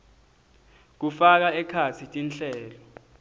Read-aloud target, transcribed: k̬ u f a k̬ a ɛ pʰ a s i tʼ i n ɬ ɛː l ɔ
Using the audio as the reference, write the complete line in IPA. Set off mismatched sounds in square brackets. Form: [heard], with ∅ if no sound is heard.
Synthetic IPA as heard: k̬ u f a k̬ a ɛ [kʰ] a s i tʼ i n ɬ ɛː l ɔ